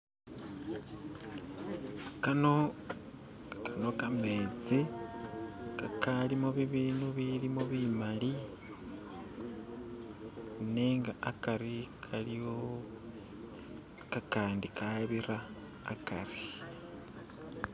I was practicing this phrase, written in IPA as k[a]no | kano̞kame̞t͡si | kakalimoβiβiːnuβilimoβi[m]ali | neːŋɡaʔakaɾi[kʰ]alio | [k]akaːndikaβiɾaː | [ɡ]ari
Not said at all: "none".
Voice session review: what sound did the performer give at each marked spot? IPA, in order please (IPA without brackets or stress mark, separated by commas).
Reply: a, m, kʰ, k, k